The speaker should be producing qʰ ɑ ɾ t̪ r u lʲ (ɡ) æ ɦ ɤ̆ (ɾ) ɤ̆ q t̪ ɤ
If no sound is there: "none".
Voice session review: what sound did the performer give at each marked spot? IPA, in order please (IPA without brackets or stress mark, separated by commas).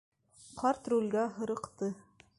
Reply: ɡ, ɾ